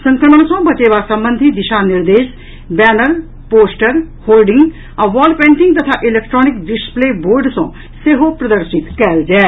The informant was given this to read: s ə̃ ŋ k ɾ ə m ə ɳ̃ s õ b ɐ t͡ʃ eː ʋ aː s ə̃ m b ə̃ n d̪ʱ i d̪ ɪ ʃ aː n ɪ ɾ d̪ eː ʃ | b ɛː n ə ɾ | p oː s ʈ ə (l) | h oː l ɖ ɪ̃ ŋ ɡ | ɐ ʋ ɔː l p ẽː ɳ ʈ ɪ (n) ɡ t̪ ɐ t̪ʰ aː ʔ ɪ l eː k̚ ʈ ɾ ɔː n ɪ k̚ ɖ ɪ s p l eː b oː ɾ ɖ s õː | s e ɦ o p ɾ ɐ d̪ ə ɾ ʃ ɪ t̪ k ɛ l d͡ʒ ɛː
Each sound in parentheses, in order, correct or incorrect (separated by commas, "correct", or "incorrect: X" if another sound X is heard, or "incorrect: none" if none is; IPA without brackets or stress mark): incorrect: ɾ, incorrect: ŋ